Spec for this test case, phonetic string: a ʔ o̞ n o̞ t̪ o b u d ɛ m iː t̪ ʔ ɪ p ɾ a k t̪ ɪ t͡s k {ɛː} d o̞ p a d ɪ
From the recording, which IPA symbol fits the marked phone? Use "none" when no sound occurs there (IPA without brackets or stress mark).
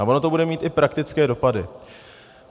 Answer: ɛː